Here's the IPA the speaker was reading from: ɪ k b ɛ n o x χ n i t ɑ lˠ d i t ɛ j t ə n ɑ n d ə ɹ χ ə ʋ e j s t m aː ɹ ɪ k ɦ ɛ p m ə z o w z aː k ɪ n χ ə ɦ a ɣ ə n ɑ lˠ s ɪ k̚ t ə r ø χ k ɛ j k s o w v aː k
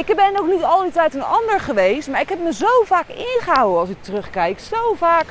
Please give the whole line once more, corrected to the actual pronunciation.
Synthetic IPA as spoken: ɪ k b ɛ n o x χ n i t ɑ lˠ d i t ɛ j t ə n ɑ n d ə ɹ χ ə ʋ e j s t m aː ɹ ɪ k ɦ ɛ p m ə z o w v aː k ɪ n χ ə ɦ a w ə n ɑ lˠ s ɪ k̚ t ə r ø χ k ɛ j k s o w v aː k